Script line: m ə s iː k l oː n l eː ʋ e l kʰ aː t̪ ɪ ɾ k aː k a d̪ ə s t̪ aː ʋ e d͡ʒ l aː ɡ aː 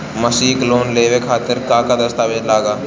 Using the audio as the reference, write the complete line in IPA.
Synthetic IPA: m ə s iː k l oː n l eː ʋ e kʰ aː t̪ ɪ ɾ k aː k a d̪ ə s t̪ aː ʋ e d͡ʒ l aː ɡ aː

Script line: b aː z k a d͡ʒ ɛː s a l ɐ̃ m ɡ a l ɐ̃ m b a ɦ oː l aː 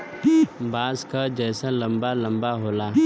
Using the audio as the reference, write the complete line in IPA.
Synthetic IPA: b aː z k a d͡ʒ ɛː s a l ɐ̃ m b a l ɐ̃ m b a ɦ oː l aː

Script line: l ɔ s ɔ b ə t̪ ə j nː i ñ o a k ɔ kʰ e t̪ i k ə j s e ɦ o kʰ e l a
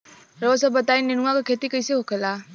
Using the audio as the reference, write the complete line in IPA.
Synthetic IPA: ɾ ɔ s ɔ b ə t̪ a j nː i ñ u a k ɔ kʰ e t̪ i k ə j s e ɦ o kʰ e l a

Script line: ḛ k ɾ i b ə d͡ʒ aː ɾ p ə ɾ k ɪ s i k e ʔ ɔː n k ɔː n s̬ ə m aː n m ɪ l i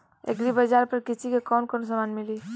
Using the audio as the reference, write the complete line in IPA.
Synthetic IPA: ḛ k ɾ i b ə d͡ʒ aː ɾ p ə ɾ k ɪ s i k e k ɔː n k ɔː n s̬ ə m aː n m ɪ l i

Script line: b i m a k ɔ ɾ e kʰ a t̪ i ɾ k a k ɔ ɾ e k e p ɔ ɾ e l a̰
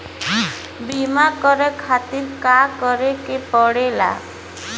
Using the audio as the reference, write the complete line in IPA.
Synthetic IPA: b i m a k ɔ ɾ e kʰ a t̪ i ɾ k a k ɔ ɾ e k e p ɔ ɽ e l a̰

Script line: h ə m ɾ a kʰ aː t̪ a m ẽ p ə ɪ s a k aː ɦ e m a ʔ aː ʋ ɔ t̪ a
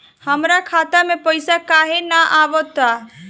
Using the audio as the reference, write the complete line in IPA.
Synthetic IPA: h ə m ɾ a kʰ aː t̪ a m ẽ p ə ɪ s a k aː ɦ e n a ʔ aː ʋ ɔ t̪ a

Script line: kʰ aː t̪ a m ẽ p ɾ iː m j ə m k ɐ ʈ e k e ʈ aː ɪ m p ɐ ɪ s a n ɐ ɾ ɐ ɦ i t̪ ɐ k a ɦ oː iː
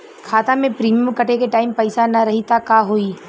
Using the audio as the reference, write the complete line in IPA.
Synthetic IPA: kʰ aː t̪ a m ẽ p ɾ iː m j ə m k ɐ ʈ e k e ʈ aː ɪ m p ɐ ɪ s a n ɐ ɾ ɐ ɦ i t̪ a k a ɦ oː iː

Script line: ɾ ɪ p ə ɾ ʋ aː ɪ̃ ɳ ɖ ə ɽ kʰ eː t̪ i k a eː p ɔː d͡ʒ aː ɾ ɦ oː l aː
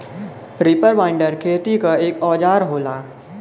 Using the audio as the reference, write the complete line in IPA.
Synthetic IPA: ɾ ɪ p ə ɾ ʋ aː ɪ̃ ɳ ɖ ə ɾ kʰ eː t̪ i k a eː k ɔː d͡ʒ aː ɾ ɦ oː l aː

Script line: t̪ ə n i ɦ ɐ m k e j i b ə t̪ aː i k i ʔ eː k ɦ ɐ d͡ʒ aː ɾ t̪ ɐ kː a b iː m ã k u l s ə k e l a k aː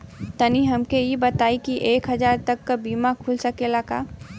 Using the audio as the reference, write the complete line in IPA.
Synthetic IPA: t̪ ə n i ɦ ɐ m k e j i b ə t̪ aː i k i ʔ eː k ɦ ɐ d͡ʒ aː ɾ t̪ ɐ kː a b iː m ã kʰ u l s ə k e l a k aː

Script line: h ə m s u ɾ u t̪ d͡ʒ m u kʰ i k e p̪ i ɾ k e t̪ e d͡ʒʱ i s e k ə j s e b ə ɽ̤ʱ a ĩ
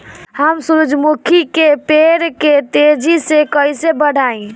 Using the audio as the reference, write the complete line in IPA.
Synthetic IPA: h ə m s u ɾ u d͡ʒ m u kʰ i k e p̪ e ɾ k e t̪ e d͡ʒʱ i s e k ə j s e b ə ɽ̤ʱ a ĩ

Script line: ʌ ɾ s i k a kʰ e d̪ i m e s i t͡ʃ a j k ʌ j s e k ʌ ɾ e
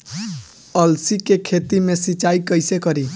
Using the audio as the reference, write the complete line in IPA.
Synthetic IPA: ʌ l s i k e kʰ e t̪ i m e s i t͡ʃ a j k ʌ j s e k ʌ ɾ i

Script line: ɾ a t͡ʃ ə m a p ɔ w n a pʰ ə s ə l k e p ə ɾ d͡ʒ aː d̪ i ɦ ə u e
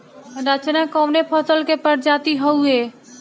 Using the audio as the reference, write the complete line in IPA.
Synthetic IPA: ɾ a t͡ʃ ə n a k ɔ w n e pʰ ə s ə l k e p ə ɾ d͡ʒ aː t̪ i ɦ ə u e

